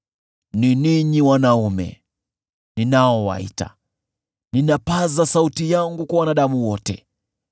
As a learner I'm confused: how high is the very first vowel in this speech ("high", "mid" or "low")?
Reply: high